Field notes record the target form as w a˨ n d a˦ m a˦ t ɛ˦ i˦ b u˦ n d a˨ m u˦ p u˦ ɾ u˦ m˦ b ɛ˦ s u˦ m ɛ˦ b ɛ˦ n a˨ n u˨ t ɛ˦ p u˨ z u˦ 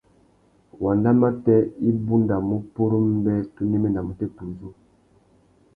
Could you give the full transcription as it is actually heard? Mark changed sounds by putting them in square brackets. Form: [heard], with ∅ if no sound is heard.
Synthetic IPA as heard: w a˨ n d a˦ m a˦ t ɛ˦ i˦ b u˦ n d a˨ m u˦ p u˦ ɾ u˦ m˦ b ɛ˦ [t] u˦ [n] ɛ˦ [m] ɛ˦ n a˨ [m] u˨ t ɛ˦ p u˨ z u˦